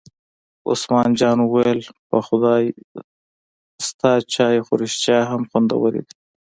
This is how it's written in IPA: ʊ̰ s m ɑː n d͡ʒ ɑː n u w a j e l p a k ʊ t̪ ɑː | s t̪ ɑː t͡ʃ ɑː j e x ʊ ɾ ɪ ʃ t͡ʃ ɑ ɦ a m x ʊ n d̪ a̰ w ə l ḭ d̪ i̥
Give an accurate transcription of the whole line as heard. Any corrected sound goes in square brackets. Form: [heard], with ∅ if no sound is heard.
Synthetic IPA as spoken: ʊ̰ s m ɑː n d͡ʒ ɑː n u w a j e l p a [x] ʊ [d̪] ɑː | s t̪ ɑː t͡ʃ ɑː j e x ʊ ɾ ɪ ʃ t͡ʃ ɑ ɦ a m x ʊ n d̪ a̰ w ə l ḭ d̪ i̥